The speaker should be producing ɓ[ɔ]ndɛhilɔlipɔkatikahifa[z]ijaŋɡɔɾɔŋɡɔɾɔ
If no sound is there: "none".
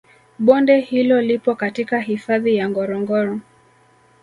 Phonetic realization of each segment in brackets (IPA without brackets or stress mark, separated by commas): ɔ, ð